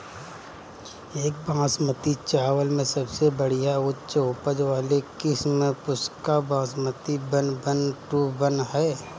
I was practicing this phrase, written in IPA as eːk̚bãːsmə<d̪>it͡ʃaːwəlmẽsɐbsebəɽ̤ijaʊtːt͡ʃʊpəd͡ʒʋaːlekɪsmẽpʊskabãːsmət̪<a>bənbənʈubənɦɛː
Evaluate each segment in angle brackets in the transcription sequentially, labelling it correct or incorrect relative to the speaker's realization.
incorrect, incorrect

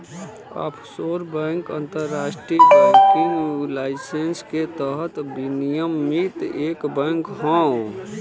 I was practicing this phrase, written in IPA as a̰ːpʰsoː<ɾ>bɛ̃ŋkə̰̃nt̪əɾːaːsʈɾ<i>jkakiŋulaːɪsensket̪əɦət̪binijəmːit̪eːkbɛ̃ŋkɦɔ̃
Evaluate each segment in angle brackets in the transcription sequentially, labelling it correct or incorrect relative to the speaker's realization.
correct, correct

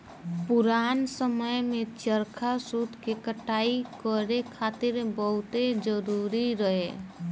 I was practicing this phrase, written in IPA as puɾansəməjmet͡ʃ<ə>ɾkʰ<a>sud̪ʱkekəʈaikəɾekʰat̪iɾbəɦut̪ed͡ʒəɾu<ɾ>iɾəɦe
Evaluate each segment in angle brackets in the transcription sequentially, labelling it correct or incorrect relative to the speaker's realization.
correct, correct, correct

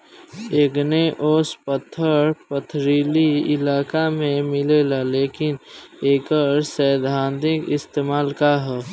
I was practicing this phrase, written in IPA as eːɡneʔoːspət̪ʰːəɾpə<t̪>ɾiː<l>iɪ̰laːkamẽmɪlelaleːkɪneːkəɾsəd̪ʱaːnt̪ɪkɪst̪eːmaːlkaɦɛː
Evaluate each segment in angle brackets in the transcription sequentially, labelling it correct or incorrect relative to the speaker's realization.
incorrect, correct

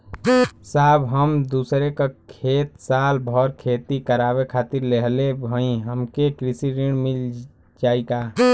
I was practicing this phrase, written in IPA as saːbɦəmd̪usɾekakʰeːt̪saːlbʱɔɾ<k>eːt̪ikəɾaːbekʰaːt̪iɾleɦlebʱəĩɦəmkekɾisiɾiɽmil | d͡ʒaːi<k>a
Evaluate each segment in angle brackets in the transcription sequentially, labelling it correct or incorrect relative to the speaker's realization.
incorrect, correct

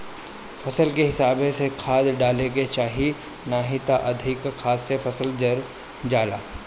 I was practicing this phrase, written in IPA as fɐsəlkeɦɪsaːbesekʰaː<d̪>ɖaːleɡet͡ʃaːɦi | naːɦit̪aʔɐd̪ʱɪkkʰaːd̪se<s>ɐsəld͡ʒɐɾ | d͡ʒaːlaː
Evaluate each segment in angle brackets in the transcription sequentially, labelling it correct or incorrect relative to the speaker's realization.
correct, incorrect

